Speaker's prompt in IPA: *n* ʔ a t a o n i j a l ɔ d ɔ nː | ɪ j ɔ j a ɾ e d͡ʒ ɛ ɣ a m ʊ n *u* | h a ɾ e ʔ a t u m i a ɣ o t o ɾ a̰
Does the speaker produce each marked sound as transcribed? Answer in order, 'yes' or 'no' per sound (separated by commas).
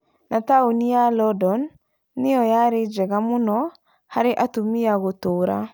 yes, no